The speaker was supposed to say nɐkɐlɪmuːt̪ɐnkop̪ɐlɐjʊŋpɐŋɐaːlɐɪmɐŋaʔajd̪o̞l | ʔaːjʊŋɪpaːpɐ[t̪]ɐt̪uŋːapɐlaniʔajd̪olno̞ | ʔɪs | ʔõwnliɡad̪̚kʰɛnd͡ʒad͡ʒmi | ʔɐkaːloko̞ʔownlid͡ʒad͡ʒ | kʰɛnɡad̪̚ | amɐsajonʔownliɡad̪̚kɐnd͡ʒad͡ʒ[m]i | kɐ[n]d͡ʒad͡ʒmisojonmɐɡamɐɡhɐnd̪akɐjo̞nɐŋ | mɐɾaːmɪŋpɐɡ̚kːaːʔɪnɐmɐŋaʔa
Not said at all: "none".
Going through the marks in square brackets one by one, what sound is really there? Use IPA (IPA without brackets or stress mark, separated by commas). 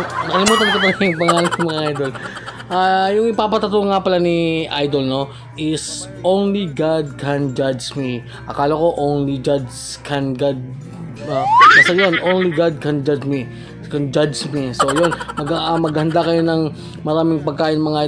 t̪, m, n